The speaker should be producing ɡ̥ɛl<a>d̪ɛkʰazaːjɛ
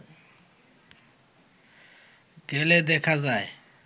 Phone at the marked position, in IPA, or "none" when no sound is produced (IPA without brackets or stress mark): ɛ